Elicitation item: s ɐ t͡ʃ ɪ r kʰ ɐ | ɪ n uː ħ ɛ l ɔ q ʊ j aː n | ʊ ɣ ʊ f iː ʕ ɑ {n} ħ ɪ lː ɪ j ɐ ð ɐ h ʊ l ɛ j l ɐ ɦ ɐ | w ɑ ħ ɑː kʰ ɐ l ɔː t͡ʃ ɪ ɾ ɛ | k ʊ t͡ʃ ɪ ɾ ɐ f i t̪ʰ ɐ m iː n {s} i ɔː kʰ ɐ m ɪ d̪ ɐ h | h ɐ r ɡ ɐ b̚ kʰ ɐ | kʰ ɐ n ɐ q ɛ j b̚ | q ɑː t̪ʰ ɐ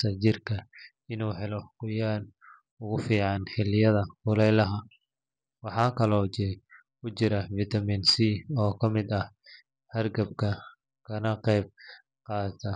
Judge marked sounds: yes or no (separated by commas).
yes, yes